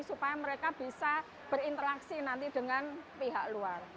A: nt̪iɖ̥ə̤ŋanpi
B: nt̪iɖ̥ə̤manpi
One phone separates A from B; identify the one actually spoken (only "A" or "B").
A